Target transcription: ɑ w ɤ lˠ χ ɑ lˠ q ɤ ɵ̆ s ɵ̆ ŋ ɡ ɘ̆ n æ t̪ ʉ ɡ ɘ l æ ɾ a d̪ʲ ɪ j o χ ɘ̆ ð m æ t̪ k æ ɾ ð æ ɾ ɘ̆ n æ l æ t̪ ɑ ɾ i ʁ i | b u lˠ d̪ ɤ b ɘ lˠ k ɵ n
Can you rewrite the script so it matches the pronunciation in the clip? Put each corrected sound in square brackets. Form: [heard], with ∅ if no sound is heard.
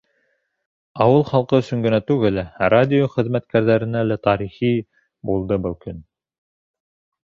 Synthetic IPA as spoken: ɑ w ɤ lˠ χ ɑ lˠ q ɤ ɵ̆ s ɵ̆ ŋ ɡ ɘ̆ n æ t̪ ʉ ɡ ɘ l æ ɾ a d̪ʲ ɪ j o χ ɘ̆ ð m æ t̪ k æ ɾ ð æ ɾ ɘ̆ n æ l æ t̪ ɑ ɾ i [χ] i | b u lˠ d̪ ɤ b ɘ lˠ k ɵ n